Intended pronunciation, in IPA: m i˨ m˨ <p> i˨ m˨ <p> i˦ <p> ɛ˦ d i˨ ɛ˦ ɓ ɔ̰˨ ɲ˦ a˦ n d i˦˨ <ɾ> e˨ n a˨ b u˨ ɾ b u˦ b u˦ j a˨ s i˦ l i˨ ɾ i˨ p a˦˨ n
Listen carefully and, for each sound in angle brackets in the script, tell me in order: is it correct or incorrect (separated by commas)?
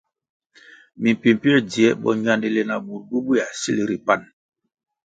correct, correct, incorrect, incorrect